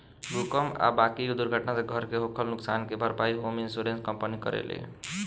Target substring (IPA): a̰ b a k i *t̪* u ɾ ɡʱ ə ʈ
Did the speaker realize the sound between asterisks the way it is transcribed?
no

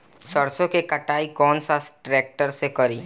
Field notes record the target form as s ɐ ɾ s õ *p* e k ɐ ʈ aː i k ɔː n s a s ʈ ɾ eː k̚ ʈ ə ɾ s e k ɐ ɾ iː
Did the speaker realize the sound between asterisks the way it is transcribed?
no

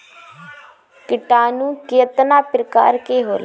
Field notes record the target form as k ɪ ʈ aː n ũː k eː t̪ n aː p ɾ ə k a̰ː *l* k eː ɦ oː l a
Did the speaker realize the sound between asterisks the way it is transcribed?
no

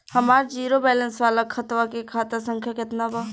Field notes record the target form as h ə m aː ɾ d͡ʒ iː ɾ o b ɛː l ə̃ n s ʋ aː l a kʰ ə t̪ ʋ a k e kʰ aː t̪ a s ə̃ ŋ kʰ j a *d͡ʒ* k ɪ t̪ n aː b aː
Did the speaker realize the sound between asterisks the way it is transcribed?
no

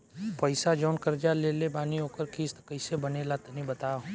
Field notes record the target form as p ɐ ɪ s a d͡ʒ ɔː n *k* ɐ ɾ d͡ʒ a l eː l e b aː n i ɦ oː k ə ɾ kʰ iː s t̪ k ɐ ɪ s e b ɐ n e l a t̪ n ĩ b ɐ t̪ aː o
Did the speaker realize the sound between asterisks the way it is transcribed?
yes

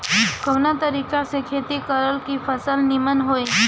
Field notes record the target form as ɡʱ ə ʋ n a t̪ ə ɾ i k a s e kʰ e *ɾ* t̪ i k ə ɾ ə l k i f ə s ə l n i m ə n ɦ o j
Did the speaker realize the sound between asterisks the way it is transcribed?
no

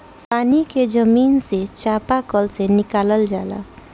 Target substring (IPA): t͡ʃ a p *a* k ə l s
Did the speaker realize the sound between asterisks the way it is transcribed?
yes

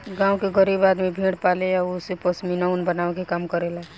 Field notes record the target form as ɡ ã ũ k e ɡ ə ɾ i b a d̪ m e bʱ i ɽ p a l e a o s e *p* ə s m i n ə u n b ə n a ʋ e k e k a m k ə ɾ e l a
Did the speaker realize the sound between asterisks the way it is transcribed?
yes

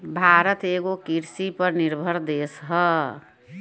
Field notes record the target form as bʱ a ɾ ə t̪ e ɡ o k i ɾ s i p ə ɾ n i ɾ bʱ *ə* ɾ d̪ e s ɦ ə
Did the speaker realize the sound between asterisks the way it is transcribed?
yes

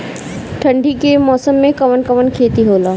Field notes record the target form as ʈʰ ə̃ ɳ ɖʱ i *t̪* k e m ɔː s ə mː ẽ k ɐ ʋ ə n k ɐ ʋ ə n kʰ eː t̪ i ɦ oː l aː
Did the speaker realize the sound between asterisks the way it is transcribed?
no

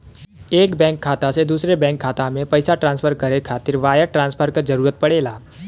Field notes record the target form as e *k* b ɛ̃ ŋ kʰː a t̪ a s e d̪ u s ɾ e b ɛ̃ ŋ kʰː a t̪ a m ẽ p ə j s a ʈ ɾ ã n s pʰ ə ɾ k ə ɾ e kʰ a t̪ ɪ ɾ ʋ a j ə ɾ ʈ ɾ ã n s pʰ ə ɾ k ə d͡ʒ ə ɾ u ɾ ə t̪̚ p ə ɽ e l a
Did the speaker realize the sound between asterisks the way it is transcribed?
yes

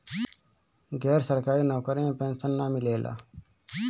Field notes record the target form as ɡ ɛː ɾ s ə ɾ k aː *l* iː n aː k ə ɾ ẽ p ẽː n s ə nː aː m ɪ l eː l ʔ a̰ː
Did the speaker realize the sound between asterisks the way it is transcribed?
no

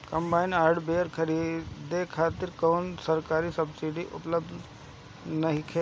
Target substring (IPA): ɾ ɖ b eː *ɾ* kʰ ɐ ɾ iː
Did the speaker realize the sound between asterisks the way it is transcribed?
yes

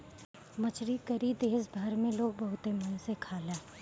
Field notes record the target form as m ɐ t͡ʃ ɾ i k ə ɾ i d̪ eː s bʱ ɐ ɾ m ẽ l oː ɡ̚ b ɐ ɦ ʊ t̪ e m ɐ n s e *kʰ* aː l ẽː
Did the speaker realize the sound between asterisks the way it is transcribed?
yes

